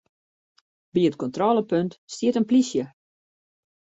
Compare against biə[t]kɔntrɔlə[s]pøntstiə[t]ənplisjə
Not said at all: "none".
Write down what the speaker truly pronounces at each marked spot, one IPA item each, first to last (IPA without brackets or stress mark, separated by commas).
t, none, t